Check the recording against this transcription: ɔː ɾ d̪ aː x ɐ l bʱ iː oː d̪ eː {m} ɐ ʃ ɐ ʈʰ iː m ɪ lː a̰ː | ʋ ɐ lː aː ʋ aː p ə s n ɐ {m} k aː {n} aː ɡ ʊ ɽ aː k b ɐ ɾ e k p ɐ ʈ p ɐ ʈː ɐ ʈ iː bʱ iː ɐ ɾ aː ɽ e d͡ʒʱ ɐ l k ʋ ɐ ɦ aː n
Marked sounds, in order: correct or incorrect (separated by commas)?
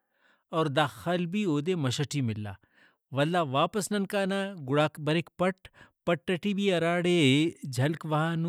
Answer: correct, incorrect, correct